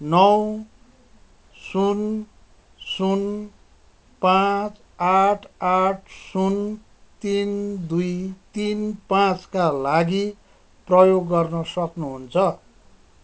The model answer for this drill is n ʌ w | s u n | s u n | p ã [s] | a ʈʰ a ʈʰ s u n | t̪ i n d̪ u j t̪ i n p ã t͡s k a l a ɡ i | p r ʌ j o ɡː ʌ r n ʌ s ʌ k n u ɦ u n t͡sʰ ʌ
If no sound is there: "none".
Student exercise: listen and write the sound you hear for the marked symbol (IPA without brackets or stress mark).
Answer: t͡s